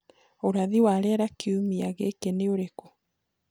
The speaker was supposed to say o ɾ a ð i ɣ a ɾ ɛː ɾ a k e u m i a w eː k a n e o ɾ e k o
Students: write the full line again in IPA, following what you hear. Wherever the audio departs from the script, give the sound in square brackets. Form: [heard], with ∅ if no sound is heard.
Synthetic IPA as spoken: o ɾ a ð i [w] a ɾ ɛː ɾ a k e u m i a [ɣ] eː k [e] n e o ɾ e k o